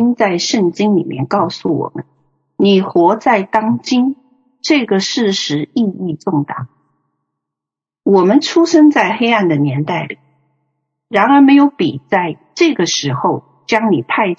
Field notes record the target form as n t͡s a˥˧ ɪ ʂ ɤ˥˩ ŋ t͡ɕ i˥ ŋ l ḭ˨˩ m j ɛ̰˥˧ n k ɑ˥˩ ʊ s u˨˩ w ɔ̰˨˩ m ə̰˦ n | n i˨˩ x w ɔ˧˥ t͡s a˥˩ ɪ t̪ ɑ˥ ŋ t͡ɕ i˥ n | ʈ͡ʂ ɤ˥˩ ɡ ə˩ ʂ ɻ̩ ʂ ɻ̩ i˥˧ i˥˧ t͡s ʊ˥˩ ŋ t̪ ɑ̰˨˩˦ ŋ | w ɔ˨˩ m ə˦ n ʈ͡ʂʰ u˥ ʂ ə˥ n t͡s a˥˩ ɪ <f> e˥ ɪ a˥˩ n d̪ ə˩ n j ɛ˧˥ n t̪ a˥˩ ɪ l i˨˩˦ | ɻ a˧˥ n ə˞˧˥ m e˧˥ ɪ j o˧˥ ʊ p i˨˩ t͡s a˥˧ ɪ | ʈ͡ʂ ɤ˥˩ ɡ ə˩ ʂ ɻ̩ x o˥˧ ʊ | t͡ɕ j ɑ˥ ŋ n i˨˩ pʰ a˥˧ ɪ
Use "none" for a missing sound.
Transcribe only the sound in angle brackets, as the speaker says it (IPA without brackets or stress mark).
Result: x